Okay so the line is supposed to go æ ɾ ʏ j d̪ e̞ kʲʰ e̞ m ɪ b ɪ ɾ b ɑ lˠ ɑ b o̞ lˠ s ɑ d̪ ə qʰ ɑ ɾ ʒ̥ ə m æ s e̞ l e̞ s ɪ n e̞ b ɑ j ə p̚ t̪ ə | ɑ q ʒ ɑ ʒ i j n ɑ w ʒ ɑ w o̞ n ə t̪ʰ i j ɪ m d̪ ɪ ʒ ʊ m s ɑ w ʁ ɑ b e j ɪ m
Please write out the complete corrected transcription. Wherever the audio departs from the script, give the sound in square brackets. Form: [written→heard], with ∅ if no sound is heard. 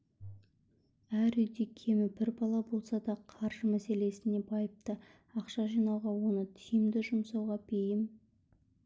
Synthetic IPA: æ ɾ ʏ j d̪ e̞ kʲʰ e̞ m ɪ b ɪ ɾ b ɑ lˠ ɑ b o̞ lˠ s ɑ d̪ [ə→ɑ] qʰ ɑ ɾ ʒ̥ ə m æ s e̞ l e̞ s ɪ n e̞ b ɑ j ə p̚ t̪ ə | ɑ q [ʒ→ʃ] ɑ ʒ i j n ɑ w [ʒ→ʁ] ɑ w o̞ n ə t̪ʰ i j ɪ m d̪ ɪ ʒ ʊ m s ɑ w ʁ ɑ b e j ɪ m